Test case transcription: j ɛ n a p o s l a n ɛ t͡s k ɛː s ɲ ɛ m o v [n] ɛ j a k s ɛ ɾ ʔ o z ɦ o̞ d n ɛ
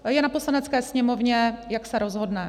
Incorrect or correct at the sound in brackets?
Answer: incorrect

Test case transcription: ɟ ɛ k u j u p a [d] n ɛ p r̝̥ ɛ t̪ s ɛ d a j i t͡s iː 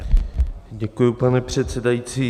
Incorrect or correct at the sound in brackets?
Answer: incorrect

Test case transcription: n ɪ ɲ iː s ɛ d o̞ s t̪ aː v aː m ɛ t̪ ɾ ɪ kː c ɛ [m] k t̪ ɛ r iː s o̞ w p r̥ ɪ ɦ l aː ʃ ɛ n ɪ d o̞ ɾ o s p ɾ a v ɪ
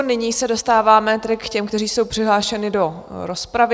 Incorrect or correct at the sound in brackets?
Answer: correct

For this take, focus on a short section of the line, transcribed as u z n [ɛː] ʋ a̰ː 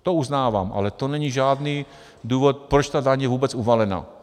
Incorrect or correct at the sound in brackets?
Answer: incorrect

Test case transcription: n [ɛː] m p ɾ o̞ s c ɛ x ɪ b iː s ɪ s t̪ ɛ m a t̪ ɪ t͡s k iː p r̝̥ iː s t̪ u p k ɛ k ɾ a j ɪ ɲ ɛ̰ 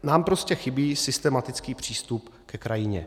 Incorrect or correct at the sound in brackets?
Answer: incorrect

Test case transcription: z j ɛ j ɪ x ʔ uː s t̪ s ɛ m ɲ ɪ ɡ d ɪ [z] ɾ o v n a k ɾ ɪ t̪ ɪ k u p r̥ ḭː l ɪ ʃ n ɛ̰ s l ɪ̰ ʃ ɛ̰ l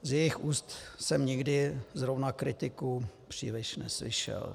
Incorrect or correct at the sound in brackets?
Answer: correct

